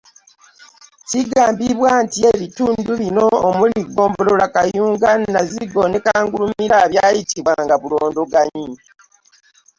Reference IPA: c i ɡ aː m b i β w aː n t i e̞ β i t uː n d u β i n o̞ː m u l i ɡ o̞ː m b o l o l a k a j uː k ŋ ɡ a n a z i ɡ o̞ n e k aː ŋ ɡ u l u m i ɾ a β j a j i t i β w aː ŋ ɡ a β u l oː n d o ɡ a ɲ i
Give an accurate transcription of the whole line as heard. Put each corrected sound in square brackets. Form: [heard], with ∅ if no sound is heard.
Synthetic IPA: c i ɡ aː m b i β w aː n t i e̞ β i t uː n d u β i n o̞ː m u l i ɡ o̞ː m b o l o l a k a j uː [∅] ŋ ɡ a n a z i ɡ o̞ n e k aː ŋ ɡ u l u m i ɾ a β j a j i t i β w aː ŋ ɡ a β u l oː n d o ɡ a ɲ i